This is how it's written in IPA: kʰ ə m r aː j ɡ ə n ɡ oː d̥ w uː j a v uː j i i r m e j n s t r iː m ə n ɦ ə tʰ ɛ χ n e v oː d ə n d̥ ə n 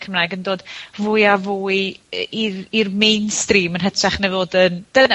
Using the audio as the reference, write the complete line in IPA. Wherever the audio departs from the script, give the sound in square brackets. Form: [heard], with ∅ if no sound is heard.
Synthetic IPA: kʰ ə m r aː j ɡ ə n [d] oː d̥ [v] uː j a v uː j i i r m e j n s t r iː m ə n ɦ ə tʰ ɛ χ n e v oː d ə n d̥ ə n